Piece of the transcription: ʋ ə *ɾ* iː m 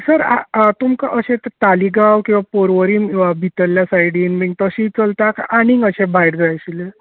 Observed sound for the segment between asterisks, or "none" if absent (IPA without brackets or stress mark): ɾ